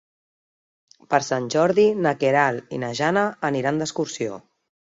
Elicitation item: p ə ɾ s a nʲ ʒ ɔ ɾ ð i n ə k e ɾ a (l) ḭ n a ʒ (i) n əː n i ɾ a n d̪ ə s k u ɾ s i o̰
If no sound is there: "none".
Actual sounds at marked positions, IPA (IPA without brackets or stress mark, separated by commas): l, a